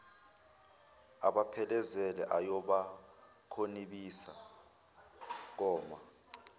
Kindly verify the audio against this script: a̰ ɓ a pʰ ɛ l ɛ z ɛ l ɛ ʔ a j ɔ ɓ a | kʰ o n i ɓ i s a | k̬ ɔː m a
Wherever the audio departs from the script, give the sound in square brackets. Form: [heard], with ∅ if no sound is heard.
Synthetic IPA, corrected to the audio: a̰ ɓ a pʰ ɛ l ɛ z ɛ l ɛ ʔ a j ɔ ɓ a | kʰ o n i ɓ i s a | k̬ ɔː m a